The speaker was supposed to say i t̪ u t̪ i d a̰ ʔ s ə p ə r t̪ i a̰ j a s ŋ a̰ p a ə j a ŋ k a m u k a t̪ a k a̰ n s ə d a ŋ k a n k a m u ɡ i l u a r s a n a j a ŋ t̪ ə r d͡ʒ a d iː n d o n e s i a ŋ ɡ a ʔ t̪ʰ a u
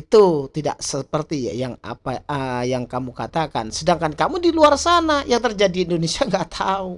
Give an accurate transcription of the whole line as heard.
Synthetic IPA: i t̪ u t̪ i d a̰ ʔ s ə p ə r t̪ i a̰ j a ŋ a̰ p a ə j a ŋ k a m u k a t̪ a k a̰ n s ə d a ŋ k a n k a m u d i l u a r s a n a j a ŋ t̪ ə r d͡ʒ a d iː n d o n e s i a ŋ ɡ a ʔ t̪ʰ a u